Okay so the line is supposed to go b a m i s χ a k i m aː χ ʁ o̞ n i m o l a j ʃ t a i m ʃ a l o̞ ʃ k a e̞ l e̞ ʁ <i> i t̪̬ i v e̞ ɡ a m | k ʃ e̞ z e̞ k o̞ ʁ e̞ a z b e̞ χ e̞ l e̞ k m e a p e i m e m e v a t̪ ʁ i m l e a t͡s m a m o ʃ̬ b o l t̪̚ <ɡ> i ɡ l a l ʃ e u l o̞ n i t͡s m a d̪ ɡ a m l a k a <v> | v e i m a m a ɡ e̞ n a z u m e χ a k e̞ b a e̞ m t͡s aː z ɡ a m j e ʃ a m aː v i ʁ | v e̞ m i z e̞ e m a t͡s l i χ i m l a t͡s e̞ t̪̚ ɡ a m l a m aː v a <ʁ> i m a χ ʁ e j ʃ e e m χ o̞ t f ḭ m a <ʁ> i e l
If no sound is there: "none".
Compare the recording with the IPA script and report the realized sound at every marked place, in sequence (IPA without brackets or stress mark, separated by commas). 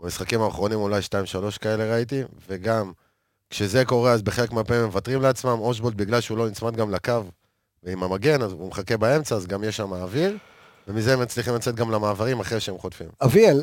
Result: a, b, v, ʁ, v